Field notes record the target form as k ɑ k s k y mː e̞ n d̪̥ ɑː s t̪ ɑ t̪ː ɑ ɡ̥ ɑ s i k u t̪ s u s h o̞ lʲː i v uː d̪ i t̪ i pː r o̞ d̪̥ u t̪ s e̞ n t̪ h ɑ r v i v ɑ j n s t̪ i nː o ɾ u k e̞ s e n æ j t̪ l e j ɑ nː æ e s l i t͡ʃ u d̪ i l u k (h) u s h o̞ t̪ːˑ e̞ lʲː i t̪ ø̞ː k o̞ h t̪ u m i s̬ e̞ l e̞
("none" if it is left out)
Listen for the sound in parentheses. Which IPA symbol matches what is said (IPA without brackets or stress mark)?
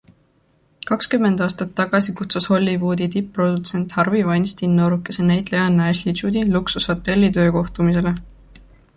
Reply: s